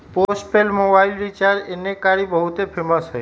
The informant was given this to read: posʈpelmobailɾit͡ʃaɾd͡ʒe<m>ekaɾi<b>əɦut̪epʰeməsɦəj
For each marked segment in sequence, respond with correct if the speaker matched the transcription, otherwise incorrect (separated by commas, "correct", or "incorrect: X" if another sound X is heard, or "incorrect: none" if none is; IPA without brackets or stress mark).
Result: incorrect: n, correct